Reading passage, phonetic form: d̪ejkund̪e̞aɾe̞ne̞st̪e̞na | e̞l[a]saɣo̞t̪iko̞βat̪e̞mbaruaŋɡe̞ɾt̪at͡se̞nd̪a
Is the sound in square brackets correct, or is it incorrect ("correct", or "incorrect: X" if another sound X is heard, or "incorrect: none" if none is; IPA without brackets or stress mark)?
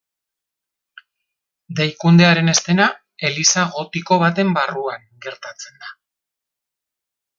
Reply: incorrect: i